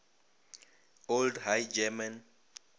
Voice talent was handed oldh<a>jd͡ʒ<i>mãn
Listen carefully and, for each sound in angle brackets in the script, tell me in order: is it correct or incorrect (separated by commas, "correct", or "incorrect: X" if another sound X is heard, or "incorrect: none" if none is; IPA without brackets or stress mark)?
correct, incorrect: ɛ